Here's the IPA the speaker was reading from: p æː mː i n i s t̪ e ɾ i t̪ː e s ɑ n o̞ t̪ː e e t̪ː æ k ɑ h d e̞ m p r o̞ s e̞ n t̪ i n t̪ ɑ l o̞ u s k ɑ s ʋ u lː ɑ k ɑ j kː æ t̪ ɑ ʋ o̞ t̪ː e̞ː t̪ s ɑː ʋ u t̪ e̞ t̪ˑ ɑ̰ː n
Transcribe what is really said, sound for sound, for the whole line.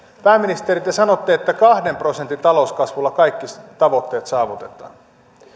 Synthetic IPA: p æː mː i n i s t̪ e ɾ i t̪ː e s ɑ n o̞ t̪ː e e t̪ː æ k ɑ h d e̞ m p r o̞ s e̞ n t̪ i n t̪ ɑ l o̞ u s k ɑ s ʋ u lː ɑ k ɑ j kː i t̪ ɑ ʋ o̞ t̪ː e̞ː t̪ s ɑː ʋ u t̪ e̞ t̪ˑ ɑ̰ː n